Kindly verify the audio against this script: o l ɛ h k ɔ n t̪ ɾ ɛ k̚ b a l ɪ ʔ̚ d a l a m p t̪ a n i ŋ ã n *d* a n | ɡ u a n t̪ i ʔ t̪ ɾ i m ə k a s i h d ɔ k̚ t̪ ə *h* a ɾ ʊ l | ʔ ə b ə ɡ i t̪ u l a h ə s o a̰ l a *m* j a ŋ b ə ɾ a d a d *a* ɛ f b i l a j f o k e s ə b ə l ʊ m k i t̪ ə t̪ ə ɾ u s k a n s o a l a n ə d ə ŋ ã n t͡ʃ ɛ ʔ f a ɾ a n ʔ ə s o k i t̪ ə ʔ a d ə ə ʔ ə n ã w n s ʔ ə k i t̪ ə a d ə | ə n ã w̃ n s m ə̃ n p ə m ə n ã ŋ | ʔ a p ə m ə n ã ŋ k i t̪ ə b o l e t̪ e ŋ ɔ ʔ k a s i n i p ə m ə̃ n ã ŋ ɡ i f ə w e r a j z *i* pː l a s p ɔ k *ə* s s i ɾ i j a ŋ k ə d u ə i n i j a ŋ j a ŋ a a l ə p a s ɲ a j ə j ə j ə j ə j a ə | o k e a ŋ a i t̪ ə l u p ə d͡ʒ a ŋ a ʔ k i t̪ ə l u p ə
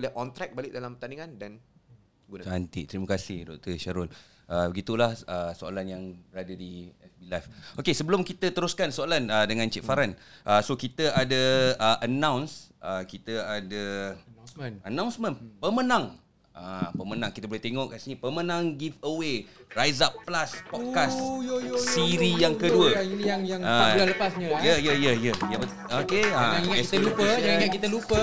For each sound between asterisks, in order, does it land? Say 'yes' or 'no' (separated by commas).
yes, no, no, no, no, no